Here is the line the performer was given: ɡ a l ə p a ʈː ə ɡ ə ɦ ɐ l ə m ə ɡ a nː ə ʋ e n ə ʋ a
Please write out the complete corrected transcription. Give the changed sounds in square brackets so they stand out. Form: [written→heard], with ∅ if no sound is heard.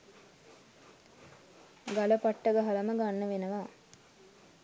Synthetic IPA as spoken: ɡ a l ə p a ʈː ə ɡ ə ɦ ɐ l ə m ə ɡ a nː ə ʋ e n ə ʋ a